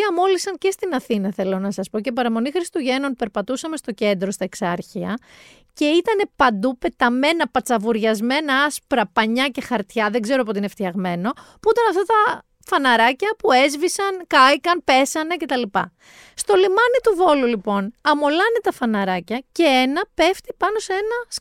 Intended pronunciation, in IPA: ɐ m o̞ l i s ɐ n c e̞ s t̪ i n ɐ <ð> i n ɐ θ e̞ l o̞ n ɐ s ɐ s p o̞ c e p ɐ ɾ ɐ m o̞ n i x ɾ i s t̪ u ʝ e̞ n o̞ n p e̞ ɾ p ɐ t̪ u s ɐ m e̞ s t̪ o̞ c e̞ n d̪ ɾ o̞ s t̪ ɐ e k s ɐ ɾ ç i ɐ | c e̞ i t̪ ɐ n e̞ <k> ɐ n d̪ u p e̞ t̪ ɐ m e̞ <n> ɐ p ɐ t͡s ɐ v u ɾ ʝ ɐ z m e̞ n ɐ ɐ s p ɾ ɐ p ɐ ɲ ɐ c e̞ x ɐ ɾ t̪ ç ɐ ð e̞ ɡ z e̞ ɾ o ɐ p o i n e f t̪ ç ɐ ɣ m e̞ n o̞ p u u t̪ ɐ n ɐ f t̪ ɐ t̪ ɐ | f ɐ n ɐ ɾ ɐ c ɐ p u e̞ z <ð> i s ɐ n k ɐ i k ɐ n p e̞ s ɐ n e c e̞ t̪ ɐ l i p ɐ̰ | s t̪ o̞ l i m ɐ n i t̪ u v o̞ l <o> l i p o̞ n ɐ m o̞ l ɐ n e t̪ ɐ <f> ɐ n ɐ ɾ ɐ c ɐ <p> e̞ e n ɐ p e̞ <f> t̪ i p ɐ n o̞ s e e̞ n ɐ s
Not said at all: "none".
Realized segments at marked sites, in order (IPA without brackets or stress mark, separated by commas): θ, p, n, v, u, f, c, f